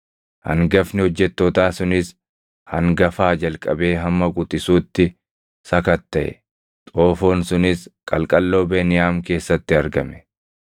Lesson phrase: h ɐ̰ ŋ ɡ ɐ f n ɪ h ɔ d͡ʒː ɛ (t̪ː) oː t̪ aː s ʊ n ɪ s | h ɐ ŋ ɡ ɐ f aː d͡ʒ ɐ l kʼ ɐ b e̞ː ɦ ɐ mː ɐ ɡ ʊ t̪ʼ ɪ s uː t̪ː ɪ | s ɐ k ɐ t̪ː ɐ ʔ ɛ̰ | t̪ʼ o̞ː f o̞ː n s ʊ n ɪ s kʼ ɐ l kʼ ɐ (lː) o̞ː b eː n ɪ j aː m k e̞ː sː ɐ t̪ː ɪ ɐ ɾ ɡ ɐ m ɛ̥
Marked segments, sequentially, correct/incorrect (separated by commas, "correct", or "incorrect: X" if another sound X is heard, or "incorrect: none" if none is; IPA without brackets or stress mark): correct, correct